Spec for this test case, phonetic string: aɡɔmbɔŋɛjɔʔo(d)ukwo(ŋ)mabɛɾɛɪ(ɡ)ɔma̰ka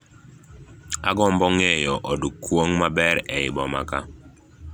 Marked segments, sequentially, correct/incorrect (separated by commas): correct, correct, incorrect